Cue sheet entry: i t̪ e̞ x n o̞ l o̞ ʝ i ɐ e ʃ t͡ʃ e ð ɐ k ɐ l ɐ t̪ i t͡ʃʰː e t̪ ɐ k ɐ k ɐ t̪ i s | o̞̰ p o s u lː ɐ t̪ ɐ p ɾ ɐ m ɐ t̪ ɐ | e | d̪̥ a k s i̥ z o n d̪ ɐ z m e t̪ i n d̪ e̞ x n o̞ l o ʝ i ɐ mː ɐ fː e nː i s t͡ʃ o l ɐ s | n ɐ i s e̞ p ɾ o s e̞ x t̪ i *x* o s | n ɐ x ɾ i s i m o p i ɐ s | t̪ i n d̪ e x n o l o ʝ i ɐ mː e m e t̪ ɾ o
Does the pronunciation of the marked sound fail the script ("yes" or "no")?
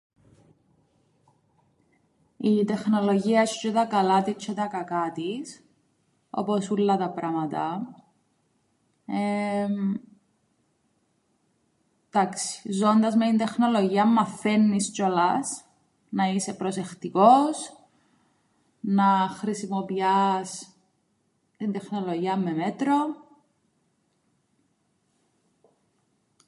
yes